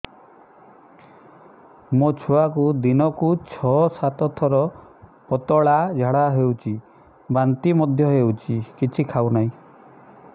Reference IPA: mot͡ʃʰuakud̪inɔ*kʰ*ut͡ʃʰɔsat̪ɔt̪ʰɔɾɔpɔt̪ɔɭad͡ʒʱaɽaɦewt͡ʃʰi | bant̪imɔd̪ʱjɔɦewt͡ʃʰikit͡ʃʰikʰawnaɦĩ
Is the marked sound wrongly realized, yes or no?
yes